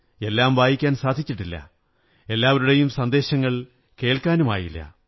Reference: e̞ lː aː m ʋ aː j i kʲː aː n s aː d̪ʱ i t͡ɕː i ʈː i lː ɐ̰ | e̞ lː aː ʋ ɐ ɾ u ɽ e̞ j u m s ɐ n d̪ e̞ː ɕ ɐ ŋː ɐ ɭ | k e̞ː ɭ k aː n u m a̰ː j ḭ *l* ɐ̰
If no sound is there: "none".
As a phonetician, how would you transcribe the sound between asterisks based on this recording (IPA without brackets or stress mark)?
lː